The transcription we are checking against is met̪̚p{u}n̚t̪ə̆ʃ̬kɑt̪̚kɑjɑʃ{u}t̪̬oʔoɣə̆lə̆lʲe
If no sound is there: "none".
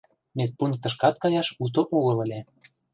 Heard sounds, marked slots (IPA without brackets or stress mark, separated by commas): u, u